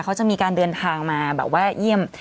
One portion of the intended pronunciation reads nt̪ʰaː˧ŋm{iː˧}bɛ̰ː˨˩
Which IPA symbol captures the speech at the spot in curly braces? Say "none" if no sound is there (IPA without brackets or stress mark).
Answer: aː˧